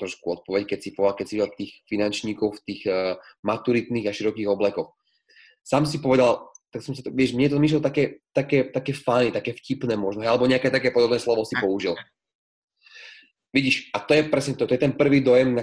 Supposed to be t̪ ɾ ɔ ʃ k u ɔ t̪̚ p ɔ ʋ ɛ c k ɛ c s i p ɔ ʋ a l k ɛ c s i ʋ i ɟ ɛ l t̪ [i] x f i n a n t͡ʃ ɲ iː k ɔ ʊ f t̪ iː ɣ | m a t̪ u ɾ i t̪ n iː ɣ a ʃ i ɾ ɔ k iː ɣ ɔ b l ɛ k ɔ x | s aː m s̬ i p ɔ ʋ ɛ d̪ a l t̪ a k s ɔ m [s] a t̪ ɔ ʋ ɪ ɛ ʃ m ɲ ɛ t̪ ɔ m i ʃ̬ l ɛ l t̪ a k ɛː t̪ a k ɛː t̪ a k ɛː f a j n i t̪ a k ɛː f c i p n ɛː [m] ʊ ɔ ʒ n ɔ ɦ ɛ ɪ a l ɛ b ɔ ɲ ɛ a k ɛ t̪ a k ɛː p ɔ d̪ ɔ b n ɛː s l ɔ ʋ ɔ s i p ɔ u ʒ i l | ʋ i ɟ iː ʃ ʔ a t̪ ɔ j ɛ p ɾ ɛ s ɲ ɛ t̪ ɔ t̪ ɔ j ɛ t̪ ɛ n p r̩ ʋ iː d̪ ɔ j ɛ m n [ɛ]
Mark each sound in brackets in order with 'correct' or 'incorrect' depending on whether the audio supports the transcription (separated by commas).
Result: incorrect, correct, correct, incorrect